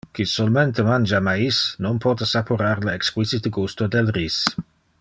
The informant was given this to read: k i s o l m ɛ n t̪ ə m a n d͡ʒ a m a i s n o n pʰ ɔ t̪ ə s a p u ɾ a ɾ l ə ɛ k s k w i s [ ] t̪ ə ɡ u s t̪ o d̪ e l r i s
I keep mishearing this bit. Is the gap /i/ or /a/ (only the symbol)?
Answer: i